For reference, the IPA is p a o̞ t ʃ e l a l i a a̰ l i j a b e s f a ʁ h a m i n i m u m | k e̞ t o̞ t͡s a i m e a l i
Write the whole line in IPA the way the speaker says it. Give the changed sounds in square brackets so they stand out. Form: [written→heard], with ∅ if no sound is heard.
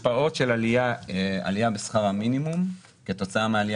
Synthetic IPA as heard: p a o̞ t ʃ e l a l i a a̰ l i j a b e s [f→χ] a ʁ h a m i n i m u m | k e̞ t o̞ t͡s a [i→a] m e a l i